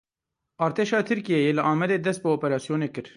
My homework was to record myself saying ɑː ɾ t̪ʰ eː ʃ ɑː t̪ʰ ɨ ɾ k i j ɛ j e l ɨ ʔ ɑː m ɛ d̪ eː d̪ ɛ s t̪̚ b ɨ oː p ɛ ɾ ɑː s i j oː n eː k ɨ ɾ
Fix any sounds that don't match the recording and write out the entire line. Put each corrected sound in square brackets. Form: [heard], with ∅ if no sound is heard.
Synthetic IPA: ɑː ɾ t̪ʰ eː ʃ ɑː t̪ʰ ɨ ɾ k i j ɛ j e l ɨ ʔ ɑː m ɛ d̪ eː d̪ ɛ s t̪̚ b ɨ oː p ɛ ɾ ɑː s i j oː n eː k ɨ ɾ